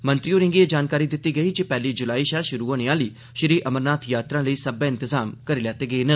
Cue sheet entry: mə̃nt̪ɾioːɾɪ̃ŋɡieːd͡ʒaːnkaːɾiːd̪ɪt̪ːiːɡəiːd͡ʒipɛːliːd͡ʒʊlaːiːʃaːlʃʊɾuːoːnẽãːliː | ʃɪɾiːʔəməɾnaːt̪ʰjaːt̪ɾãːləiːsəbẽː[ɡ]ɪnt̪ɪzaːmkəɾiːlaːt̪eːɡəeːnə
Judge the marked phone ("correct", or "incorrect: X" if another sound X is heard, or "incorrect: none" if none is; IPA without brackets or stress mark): incorrect: none